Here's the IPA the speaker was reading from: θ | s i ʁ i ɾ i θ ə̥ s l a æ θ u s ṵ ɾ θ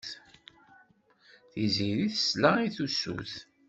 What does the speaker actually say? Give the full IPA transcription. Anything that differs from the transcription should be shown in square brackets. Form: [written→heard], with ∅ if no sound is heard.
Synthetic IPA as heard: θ | [s→θ] i [ʁ→z] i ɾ i θ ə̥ s l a [æ→i] θ u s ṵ [ɾ→∅] θ